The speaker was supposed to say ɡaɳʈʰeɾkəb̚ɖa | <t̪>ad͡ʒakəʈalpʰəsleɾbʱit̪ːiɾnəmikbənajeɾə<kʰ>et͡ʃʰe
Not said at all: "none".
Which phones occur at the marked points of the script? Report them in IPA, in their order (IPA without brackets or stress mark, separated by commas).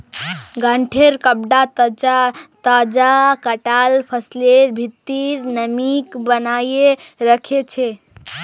t̪, kʰ